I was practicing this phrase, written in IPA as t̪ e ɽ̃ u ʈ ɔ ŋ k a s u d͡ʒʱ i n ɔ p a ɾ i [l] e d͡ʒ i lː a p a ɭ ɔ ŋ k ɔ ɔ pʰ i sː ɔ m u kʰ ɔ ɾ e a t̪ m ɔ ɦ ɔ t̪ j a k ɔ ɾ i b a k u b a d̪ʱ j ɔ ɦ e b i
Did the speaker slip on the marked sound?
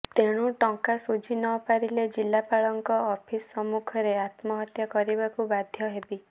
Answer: no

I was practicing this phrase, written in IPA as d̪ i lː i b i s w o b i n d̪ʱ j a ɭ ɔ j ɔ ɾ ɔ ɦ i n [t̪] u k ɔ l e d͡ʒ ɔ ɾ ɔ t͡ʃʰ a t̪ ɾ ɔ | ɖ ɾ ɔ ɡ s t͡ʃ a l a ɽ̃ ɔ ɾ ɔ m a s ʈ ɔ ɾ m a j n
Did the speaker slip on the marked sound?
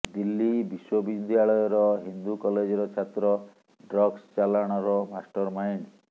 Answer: yes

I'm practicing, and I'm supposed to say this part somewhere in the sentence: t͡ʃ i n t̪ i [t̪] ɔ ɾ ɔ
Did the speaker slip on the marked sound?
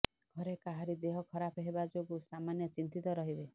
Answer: no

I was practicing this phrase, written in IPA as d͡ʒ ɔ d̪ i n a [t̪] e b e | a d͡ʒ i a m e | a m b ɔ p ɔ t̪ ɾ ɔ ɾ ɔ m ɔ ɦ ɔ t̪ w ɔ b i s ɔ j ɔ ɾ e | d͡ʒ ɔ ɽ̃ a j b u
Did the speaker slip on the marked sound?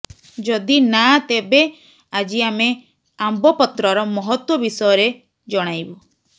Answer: no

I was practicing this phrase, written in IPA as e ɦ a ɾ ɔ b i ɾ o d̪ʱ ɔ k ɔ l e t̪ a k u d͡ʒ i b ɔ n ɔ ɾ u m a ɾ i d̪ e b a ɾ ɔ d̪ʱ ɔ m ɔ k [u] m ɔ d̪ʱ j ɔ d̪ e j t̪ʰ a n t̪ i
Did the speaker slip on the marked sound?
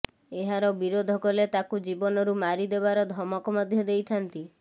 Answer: yes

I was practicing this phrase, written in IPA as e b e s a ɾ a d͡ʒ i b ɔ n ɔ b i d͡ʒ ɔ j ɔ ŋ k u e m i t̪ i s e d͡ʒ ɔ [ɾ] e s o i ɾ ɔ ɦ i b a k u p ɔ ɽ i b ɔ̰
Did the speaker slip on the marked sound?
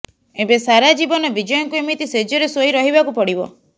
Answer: no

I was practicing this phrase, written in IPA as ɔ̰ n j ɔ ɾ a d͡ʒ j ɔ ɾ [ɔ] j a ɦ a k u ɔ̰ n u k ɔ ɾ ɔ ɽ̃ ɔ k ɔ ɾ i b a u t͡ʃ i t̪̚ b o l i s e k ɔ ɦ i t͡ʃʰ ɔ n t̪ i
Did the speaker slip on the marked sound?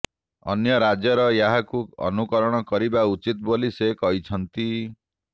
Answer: no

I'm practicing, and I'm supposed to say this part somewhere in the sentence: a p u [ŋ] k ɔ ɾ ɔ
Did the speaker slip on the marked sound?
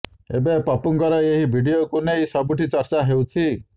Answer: no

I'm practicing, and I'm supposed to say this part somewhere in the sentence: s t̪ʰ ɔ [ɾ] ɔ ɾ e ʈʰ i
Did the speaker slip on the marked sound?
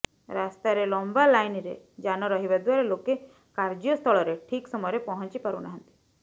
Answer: yes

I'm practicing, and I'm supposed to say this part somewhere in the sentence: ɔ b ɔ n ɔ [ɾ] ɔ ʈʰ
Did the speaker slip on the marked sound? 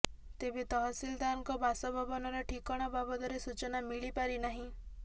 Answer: no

